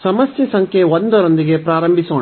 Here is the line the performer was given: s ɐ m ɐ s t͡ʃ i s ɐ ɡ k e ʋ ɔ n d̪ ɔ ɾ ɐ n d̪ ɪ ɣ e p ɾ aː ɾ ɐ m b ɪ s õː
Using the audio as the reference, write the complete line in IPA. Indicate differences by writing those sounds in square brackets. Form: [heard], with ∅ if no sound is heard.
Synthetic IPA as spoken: s ɐ m ɐ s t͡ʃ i s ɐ [ŋ] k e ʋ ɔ n d̪ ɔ ɾ ɐ n d̪ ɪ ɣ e p ɾ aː ɾ ɐ m b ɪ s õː